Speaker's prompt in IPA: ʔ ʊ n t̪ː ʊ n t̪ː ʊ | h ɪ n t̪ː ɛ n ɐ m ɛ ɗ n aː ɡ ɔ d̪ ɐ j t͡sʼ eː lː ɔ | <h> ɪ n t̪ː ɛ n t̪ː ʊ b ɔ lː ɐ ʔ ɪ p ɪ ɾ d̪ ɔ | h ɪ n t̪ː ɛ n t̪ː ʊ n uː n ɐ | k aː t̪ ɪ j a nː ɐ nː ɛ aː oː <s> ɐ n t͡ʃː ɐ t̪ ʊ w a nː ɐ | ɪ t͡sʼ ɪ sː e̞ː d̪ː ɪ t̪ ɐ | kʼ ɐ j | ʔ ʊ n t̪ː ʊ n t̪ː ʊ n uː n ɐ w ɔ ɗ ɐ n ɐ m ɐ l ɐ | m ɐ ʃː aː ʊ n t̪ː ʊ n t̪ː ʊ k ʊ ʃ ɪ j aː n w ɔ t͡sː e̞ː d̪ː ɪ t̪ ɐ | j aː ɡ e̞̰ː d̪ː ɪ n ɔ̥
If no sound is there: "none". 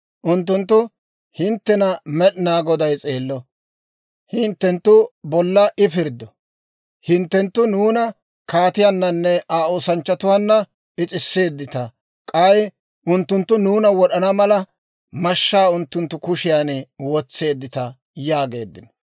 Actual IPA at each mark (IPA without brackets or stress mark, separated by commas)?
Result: h, s